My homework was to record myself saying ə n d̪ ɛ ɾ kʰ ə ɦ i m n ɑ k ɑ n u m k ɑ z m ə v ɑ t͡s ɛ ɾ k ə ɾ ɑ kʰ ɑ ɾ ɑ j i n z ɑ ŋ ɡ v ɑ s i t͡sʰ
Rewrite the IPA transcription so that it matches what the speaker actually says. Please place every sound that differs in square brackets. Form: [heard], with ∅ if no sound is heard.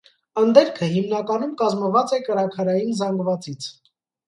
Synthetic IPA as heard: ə n d̪ ɛ ɾ kʰ ə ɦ i m n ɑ k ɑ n u m k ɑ z m ə v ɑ t͡s ɛ [∅] k ə ɾ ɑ kʰ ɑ ɾ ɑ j i n z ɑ ŋ ɡ v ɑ [t͡s] i t͡sʰ